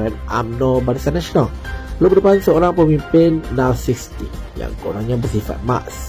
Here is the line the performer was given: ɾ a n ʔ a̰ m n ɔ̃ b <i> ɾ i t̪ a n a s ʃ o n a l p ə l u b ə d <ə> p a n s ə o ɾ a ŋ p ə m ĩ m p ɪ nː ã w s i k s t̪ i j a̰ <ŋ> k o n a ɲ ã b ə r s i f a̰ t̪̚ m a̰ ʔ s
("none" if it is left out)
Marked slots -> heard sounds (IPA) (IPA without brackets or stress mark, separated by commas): a, ə, ŋ